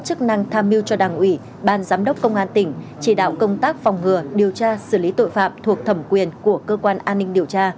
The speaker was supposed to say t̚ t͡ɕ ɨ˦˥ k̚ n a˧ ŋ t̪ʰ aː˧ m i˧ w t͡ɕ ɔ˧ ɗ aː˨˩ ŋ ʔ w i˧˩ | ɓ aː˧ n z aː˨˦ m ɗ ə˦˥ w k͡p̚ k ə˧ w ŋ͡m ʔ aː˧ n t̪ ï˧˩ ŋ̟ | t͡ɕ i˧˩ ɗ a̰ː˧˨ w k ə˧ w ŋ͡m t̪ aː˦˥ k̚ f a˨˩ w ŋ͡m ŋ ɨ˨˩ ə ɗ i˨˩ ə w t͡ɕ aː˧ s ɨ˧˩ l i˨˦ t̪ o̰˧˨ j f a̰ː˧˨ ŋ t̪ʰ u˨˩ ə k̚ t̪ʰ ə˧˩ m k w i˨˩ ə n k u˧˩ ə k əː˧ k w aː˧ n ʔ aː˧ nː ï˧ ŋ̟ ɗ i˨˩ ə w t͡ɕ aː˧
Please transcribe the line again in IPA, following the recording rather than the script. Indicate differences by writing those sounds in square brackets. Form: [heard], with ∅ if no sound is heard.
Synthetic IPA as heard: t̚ t͡ɕ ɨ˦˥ k̚ n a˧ ŋ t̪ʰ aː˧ m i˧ w t͡ɕ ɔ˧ ɗ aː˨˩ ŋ ʔ w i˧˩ | ɓ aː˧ n z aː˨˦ m ɗ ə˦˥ w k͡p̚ k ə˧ w ŋ͡m ʔ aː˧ n t̪ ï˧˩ ŋ̟ | t͡ɕ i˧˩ ɗ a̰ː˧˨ w k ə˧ w ŋ͡m t̪ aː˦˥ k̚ f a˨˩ w ŋ͡m ŋ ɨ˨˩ ə ɗ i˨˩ ə w t͡ɕ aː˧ s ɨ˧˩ l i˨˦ t̪ o̰˧˨ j f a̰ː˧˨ [m] t̪ʰ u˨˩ ə k̚ t̪ʰ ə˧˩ m k w i˨˩ ə n k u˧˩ ə k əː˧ k w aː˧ n ʔ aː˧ nː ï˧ ŋ̟ ɗ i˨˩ ə w t͡ɕ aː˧

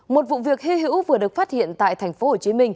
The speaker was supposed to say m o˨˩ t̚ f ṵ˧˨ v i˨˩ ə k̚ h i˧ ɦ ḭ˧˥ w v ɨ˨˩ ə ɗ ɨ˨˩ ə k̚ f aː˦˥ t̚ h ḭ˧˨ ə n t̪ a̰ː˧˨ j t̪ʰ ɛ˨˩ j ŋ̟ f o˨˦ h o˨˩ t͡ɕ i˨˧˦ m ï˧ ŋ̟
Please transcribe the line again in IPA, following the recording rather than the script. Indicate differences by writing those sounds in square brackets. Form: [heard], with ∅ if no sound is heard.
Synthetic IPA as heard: m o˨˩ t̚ [v] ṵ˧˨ v i˨˩ ə k̚ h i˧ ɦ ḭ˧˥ w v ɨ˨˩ ə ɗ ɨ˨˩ ə k̚ f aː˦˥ t̚ h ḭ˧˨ ə n t̪ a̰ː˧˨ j t̪ʰ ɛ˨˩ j ŋ̟ f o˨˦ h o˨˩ t͡ɕ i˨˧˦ m ï˧ ŋ̟

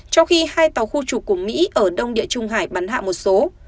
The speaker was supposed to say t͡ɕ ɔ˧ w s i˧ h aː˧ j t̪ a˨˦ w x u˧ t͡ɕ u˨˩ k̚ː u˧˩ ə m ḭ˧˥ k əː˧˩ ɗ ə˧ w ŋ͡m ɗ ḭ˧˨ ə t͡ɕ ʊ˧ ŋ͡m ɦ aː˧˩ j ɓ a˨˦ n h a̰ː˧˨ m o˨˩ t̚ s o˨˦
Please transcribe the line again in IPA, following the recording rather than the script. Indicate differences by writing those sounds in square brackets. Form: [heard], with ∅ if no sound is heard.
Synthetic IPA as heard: t͡ɕ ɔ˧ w [x] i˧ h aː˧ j t̪ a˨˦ w x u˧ t͡ɕ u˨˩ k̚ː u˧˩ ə m ḭ˧˥ [ʔ] əː˧˩ ɗ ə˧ w ŋ͡m ɗ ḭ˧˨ ə t͡ɕ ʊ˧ ŋ͡m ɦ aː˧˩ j ɓ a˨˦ n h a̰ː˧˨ m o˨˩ t̚ s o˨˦

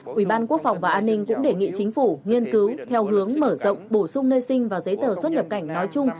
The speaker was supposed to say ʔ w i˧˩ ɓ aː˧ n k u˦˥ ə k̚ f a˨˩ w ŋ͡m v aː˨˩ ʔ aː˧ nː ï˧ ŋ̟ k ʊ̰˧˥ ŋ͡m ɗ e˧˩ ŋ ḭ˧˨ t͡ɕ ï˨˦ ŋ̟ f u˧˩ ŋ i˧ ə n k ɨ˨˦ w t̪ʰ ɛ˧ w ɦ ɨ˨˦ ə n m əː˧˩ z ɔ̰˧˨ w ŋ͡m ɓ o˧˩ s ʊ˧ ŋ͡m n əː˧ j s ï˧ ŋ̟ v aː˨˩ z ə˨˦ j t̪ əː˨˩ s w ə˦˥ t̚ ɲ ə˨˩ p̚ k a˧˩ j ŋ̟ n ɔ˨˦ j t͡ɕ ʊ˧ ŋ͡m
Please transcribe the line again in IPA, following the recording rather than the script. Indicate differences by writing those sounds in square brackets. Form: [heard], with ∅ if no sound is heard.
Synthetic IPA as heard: ʔ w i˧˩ ɓ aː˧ n k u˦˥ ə k̚ f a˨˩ w ŋ͡m v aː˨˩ ʔ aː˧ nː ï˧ ŋ̟ k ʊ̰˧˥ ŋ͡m ɗ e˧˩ ŋ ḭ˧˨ t͡ɕ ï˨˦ ŋ̟ f u˧˩ ŋ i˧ ə n k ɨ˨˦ w t̪ʰ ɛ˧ w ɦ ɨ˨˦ ə [ŋ] m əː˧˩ z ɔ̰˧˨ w ŋ͡m ɓ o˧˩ s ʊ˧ ŋ͡m n əː˧ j s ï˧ ŋ̟ v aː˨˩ z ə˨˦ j t̪ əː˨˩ s w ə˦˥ t̚ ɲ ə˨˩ p̚ k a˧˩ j ŋ̟ n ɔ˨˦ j t͡ɕ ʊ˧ ŋ͡m

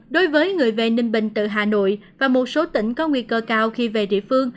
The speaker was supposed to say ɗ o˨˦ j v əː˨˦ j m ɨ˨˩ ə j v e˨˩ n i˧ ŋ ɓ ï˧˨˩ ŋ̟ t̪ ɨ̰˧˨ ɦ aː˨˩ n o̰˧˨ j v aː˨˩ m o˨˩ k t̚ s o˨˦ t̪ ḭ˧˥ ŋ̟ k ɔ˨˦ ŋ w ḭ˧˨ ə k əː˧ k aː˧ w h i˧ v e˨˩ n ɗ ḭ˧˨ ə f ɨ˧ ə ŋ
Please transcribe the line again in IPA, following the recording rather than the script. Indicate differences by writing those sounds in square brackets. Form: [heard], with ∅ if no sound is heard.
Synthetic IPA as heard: ɗ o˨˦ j v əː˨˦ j [ŋ] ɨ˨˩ ə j v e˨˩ n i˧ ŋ ɓ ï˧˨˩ ŋ̟ t̪ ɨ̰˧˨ ɦ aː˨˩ n o̰˧˨ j v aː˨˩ m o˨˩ [∅] t̚ s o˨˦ t̪ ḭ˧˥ ŋ̟ k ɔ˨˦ ŋ w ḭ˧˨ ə k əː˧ k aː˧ w [x] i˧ v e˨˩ [∅] ɗ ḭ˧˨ ə f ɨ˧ ə ŋ

